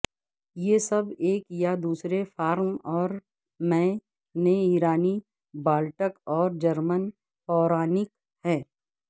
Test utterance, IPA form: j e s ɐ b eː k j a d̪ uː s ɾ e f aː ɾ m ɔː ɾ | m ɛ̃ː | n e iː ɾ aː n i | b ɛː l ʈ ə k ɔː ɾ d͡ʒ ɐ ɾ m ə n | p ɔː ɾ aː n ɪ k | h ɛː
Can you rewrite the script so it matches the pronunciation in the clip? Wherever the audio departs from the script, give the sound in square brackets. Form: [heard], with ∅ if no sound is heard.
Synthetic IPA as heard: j e s ɐ b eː k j a d̪ uː s ɾ e f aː ɾ m ɔː ɾ | m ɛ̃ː | n e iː ɾ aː n i | b [aː] l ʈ ə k ɔː ɾ d͡ʒ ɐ ɾ m ə n | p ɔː ɾ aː n ɪ k | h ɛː